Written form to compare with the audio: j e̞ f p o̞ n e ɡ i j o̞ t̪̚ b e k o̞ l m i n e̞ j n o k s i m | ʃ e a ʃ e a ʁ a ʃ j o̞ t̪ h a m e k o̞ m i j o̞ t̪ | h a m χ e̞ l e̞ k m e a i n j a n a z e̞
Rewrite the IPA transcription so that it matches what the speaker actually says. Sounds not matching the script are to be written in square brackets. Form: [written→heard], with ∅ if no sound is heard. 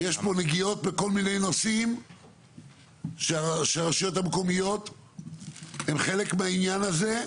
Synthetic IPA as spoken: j e̞ [f→ʃ] p o̞ n e ɡ i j o̞ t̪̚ b e k o̞ l m i n e̞ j n o [k→∅] s i m | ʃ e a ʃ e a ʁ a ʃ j o̞ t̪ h a m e k o̞ m i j o̞ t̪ | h [a→e] m χ e̞ l e̞ k m e a i n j a n a z e̞